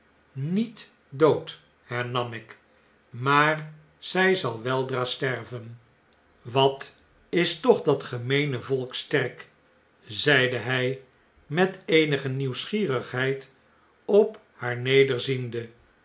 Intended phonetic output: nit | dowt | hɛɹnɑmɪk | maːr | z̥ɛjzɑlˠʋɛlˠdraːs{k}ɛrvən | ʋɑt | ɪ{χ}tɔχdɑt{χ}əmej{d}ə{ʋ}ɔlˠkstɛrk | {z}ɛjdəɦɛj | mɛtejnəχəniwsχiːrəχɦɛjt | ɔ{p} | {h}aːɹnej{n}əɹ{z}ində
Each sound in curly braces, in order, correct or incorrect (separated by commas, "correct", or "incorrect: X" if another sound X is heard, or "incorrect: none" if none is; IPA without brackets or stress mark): incorrect: t, incorrect: s, correct, incorrect: n, incorrect: v, correct, correct, correct, incorrect: d, correct